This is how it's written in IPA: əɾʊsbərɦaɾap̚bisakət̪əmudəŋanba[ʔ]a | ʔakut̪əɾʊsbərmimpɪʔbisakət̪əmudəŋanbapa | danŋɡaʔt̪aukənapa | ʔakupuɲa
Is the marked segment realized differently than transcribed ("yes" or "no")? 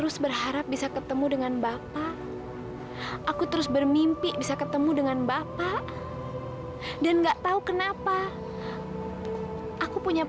yes